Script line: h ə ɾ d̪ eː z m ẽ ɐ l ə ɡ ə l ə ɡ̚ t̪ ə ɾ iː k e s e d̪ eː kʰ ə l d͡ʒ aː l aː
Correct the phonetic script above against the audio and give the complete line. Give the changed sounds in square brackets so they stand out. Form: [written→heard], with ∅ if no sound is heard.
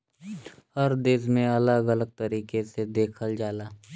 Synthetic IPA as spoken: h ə ɾ d̪ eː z m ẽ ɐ l ə ɡ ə l ə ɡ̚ t̪ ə ɾ iː k e s e d̪ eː kʰ ə l d͡ʒ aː l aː